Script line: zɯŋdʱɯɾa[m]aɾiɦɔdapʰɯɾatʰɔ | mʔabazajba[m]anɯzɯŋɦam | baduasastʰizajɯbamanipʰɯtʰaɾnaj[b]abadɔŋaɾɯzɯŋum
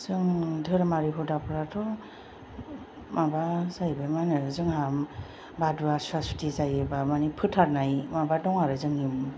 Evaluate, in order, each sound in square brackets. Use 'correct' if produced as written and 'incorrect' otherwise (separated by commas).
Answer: correct, correct, incorrect